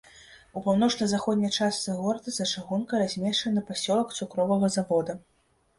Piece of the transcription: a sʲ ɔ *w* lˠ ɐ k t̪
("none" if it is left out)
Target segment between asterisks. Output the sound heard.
none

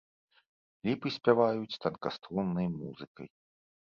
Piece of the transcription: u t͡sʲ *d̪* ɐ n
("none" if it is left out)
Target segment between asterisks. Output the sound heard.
t̪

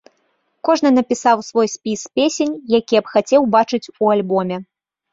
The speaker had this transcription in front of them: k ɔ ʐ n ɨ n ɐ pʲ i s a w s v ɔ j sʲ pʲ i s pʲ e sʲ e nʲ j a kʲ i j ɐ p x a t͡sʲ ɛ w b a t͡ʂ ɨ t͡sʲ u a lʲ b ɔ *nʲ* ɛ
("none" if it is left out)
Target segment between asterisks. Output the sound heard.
mʲ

